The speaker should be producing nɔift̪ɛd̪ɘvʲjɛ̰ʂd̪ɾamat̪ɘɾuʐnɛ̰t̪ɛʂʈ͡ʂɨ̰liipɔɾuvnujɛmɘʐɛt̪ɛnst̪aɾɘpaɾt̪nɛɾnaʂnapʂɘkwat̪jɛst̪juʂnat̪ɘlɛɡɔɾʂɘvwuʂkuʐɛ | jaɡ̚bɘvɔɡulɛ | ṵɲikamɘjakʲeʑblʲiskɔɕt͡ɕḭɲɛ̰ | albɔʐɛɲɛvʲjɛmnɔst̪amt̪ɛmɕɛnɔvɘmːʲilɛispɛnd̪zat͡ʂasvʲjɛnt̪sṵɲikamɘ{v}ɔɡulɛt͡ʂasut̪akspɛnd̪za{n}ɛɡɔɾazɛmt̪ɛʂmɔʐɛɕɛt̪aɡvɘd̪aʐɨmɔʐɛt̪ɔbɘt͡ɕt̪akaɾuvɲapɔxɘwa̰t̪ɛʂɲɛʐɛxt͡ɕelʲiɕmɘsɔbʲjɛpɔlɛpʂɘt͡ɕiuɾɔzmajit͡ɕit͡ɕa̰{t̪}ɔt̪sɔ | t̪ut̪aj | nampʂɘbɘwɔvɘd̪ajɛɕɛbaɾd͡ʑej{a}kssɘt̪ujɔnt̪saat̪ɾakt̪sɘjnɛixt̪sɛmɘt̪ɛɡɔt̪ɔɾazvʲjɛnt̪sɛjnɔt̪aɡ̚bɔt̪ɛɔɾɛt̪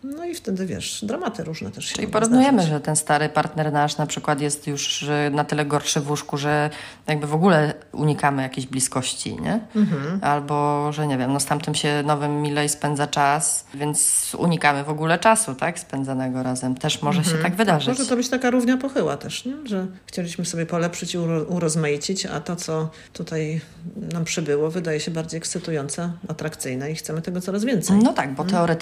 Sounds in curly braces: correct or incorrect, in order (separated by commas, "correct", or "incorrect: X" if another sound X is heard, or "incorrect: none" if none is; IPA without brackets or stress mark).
correct, correct, correct, incorrect: ɛ